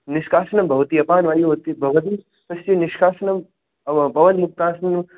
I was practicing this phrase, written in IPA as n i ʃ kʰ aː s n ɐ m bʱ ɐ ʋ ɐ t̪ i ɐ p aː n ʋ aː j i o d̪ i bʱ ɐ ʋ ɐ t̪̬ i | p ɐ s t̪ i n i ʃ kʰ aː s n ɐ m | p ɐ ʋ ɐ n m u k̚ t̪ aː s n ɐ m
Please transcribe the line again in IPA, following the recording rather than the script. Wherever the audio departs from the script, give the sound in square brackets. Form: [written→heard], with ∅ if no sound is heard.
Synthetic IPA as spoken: n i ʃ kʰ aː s n ɐ m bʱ ɐ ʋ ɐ t̪ i ɐ p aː n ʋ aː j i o [d̪→t̪] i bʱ ɐ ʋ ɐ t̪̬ i | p ɐ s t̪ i n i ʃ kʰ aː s n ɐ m | p ɐ ʋ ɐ n m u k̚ t̪ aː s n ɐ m